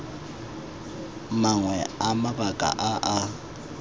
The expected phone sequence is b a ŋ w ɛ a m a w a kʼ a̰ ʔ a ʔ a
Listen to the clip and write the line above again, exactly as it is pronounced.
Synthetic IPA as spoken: m a ŋ w ɛ a m a b a kʼ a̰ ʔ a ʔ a